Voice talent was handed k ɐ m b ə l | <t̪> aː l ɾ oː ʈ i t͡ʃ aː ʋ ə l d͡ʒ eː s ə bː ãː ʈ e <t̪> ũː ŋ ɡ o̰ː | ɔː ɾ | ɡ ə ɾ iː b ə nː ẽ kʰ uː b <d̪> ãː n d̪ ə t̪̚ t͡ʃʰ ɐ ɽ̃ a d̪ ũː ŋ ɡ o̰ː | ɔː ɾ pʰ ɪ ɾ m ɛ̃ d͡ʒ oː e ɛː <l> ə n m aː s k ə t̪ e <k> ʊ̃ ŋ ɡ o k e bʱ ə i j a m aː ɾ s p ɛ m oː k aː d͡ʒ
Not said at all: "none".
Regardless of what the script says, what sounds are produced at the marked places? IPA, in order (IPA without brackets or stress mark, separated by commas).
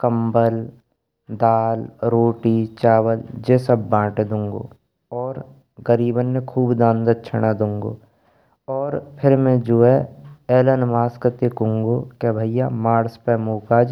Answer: d̪, d̪, d̪, l, k